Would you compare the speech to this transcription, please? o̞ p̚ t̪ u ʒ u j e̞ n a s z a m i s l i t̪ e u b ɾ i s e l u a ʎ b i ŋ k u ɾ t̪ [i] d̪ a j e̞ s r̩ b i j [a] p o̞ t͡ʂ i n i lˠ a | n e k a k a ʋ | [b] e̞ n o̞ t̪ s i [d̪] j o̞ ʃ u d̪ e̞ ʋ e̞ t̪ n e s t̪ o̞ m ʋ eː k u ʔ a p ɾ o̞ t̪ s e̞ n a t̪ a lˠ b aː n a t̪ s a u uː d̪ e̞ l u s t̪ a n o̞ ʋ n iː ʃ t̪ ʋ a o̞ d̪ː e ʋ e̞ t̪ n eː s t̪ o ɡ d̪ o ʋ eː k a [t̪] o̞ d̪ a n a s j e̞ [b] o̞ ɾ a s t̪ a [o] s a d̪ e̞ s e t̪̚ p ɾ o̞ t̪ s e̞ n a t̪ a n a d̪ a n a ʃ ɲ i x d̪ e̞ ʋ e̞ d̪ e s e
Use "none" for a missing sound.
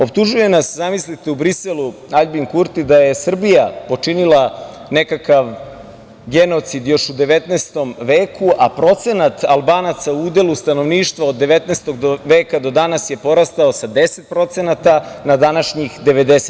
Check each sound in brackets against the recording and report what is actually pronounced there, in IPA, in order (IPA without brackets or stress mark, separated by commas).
i, a, ɡ, d̪, d̪, p, o